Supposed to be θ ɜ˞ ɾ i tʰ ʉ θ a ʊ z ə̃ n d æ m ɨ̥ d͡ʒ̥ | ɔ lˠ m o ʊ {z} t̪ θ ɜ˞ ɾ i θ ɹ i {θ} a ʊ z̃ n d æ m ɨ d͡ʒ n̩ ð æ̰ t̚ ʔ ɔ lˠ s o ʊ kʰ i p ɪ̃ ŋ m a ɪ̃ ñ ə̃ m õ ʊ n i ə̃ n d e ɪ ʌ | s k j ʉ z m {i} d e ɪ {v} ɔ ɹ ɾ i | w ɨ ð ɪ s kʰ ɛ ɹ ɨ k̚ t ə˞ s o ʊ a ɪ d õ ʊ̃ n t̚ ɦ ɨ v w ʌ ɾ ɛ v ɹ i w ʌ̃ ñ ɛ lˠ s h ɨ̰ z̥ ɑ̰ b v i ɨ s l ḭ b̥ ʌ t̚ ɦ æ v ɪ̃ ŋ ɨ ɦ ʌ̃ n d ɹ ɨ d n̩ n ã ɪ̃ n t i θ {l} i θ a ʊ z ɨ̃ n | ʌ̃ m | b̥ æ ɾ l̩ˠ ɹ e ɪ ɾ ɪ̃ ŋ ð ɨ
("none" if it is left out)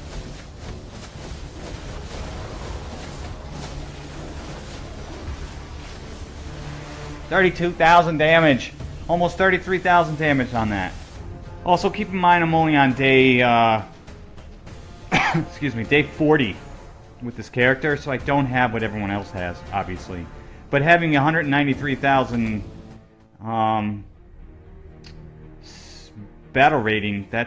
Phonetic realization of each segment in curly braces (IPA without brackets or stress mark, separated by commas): s, θ, i, f, ɹ